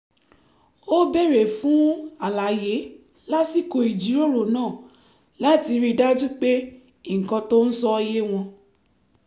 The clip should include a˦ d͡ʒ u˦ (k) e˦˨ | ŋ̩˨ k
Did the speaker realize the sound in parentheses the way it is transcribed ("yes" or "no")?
no